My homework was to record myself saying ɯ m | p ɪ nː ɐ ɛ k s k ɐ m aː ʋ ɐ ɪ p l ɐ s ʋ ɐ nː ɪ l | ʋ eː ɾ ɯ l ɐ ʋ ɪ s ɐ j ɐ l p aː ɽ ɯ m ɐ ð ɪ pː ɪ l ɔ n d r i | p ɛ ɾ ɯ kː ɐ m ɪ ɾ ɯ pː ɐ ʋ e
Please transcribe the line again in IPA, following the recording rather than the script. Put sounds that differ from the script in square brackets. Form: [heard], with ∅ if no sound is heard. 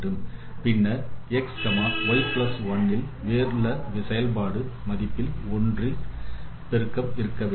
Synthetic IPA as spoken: ɯ m | p ɪ nː ɐ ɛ k s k ɐ m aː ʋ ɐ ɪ p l ɐ s ʋ ɐ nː ɪ l | ʋ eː ɾ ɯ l ɐ ʋ ɪ s ɐ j ɐ l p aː ɽ ɯ m ɐ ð ɪ pː ɪ l ɔ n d r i | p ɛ ɾ ɯ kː ɐ m ɪ ɾ ɯ [kː] ɐ ʋ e